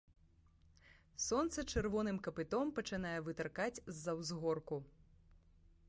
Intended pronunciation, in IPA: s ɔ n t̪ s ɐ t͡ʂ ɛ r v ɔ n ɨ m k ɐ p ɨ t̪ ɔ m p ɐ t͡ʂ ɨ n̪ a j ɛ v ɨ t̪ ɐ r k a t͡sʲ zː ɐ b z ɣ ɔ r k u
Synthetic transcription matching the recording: s ɔ n t̪ s ɐ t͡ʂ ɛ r v ɔ n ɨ m k ɐ p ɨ t̪ ɔ m p ɐ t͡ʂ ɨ n̪ a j ɛ v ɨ t̪ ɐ r k a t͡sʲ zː ɐ w z ɣ ɔ r k u